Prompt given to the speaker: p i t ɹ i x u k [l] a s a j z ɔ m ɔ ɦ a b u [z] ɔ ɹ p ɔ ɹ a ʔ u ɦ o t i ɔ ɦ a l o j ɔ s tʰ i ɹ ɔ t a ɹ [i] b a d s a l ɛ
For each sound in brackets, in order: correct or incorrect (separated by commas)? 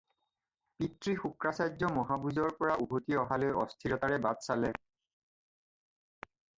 incorrect, correct, incorrect